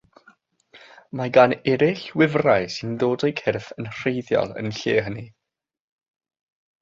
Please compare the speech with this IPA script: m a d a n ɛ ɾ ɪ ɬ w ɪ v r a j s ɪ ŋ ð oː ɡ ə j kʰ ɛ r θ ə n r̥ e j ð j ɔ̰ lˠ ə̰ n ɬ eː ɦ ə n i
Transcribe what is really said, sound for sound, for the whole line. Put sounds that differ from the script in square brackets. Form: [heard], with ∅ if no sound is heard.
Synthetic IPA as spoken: m a [ɡ] a n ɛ ɾ ɪ ɬ w ɪ v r a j s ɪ [n] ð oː [d] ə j kʰ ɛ r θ ə n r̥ e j ð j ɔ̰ lˠ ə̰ n ɬ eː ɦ ə n i